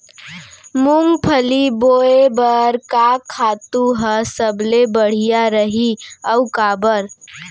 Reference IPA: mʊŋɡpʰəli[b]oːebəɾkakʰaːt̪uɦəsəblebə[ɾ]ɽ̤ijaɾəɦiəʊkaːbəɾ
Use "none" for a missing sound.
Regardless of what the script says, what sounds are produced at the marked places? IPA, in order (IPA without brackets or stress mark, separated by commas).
b, none